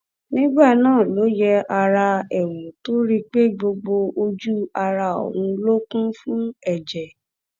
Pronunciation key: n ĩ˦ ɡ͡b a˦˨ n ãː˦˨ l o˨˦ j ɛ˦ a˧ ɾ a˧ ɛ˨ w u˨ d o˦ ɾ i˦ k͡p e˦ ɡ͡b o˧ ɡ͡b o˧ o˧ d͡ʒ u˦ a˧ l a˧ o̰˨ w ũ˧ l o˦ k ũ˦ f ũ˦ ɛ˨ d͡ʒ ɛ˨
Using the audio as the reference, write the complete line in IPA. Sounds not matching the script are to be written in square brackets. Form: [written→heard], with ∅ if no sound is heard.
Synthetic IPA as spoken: n ĩ˦ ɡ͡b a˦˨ n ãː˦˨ l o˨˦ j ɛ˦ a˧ ɾ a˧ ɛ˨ w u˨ [d→t] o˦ ɾ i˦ k͡p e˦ ɡ͡b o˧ ɡ͡b o˧ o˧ d͡ʒ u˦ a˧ [l→ɾ] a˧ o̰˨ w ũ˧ l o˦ k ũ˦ f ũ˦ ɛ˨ d͡ʒ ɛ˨